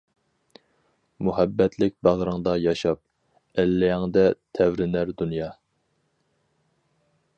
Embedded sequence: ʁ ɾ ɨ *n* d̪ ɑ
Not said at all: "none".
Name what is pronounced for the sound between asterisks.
ŋ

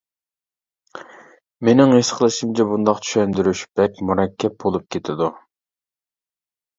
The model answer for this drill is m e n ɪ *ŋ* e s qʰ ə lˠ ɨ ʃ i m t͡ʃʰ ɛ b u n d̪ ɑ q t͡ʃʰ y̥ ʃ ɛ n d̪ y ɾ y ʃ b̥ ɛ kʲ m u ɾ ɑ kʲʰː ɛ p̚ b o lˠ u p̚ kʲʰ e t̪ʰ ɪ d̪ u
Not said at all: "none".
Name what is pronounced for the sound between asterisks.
ŋ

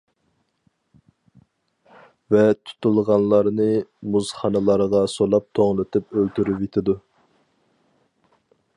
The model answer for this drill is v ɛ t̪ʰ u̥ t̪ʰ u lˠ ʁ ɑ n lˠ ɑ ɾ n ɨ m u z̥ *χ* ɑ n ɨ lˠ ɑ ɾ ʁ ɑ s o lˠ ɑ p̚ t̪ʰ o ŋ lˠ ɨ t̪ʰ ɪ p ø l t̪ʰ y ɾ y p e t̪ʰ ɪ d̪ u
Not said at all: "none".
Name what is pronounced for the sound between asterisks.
χ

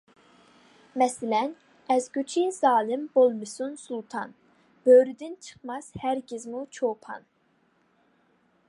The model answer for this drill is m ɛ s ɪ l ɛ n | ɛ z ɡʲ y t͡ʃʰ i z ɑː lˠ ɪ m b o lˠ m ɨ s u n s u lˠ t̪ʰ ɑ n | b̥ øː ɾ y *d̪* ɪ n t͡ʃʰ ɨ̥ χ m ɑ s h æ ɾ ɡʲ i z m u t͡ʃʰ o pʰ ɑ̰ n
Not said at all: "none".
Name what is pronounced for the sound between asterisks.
d̪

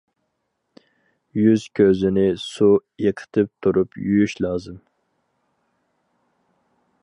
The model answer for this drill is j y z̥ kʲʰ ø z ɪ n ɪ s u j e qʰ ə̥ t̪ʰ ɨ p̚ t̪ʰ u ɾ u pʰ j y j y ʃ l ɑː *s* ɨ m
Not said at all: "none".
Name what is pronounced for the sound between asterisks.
z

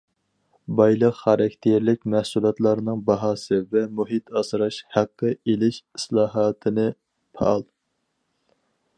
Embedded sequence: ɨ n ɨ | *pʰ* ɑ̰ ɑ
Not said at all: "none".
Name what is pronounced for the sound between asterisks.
pʰ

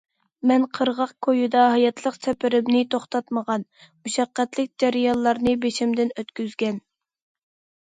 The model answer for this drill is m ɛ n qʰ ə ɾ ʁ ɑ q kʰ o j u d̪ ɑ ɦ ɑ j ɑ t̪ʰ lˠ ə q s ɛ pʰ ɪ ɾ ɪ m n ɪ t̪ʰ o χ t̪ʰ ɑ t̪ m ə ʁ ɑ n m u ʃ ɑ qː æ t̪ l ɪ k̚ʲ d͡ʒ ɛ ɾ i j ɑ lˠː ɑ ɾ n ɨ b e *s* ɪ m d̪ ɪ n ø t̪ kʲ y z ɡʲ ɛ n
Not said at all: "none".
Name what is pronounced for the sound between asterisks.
ʃ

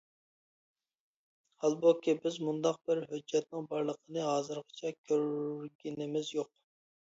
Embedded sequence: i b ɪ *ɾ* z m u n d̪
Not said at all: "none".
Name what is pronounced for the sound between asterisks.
none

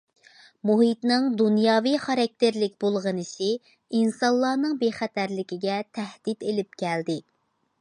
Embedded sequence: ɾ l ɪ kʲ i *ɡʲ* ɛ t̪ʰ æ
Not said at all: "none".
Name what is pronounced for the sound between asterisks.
ɡʲ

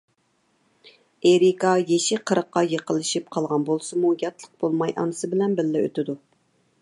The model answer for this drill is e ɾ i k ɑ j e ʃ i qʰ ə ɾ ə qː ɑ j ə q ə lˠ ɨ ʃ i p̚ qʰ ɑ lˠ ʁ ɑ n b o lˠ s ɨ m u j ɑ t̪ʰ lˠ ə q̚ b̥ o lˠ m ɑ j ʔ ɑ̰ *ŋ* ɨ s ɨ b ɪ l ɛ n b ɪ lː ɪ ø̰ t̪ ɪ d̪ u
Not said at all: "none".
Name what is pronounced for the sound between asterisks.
n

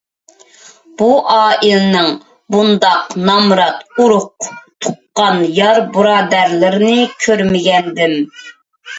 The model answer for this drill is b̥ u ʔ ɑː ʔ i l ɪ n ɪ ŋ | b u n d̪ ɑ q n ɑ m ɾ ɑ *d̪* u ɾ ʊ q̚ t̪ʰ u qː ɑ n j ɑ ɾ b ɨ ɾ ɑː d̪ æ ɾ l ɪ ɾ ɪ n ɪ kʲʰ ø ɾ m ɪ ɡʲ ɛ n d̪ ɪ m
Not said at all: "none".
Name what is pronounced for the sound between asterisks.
t̪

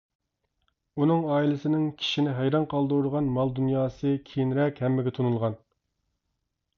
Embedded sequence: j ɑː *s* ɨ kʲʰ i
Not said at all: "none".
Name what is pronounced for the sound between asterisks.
s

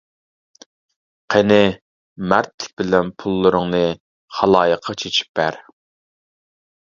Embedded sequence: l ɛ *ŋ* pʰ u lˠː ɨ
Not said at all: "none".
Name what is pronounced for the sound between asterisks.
n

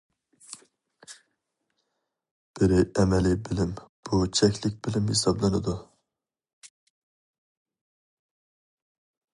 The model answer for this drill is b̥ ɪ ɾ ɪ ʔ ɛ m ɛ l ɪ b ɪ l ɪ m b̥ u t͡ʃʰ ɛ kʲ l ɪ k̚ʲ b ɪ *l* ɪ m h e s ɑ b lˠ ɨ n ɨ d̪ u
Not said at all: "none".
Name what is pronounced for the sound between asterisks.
l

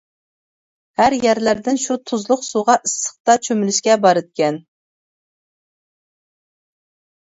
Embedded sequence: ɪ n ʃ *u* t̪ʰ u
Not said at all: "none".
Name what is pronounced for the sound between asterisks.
u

